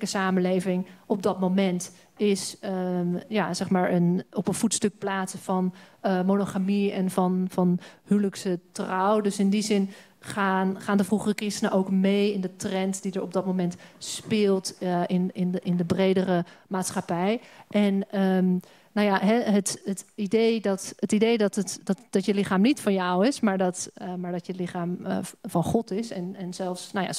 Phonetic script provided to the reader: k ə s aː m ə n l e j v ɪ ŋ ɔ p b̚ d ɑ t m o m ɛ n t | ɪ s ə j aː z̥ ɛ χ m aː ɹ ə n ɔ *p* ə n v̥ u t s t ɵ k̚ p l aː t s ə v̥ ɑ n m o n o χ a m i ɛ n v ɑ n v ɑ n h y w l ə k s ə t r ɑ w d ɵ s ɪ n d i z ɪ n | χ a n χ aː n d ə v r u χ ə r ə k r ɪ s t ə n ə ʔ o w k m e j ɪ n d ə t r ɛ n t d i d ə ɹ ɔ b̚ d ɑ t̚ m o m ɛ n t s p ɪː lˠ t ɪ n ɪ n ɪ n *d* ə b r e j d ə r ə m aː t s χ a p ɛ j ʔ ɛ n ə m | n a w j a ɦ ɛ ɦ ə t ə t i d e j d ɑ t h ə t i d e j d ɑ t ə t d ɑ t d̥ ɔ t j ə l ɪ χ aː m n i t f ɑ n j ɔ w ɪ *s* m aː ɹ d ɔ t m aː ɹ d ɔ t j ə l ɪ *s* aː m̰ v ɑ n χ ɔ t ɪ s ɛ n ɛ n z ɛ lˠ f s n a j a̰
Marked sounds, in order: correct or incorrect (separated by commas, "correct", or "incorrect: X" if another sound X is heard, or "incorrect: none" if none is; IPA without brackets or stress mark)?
correct, correct, correct, incorrect: χ